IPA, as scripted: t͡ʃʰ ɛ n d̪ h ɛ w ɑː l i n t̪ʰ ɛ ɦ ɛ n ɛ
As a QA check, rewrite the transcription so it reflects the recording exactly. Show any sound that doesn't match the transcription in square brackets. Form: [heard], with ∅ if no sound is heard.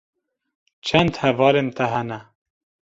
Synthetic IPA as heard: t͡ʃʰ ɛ n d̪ h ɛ [v] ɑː l [e] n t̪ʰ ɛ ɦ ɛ n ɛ